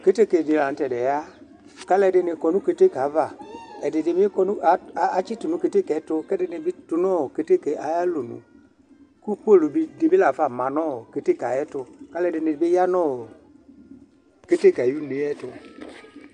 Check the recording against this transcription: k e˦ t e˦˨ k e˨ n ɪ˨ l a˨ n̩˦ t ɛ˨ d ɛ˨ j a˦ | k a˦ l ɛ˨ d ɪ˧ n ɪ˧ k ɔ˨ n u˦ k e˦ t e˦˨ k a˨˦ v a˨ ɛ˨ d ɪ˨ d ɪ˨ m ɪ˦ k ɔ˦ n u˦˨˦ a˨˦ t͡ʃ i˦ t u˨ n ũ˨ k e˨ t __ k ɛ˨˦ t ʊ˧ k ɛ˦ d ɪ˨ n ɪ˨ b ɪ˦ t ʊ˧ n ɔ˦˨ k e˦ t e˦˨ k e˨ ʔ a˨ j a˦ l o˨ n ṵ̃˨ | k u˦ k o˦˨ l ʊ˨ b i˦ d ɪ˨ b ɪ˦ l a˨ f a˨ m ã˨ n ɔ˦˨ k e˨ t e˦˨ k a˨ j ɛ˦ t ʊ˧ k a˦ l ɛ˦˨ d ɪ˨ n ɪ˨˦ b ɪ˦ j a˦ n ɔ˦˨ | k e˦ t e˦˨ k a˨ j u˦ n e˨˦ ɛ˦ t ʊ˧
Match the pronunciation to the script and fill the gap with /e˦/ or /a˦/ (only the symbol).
e˦